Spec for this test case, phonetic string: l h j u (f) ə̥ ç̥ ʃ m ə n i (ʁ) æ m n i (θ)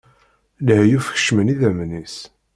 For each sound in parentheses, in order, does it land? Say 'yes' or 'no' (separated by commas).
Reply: yes, no, no